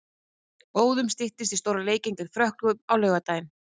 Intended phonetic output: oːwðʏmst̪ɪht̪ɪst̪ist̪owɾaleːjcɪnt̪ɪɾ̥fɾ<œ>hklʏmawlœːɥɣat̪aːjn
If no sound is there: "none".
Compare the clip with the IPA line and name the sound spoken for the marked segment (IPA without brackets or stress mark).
œ